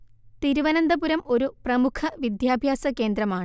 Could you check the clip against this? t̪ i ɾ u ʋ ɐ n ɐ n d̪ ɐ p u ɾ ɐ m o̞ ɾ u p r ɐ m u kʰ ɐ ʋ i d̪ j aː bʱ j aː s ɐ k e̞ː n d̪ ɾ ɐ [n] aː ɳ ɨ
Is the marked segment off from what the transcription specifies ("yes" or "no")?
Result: yes